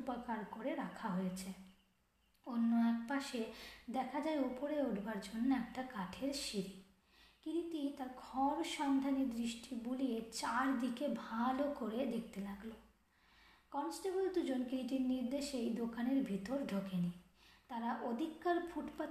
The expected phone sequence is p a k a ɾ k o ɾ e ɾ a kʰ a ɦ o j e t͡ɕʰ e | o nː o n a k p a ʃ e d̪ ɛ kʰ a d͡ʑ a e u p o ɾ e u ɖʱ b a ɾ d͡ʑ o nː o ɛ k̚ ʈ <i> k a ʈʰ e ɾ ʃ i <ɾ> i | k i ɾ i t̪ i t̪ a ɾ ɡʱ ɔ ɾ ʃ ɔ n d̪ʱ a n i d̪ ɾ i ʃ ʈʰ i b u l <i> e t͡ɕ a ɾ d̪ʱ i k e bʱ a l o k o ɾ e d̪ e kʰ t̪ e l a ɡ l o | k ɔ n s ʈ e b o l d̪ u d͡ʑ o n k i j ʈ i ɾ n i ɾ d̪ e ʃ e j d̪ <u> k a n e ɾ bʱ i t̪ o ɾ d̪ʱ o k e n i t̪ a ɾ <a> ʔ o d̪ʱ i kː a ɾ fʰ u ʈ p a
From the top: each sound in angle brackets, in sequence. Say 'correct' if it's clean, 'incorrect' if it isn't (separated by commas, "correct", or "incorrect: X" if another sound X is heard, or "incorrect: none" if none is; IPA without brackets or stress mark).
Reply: incorrect: a, correct, correct, incorrect: o, correct